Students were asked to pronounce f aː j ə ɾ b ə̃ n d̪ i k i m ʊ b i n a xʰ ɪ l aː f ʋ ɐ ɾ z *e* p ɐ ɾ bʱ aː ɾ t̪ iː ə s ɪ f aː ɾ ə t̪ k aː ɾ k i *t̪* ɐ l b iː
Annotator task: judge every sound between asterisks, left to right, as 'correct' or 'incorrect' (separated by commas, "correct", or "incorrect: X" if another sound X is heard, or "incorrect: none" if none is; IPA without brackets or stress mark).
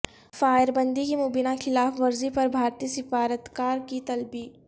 incorrect: i, correct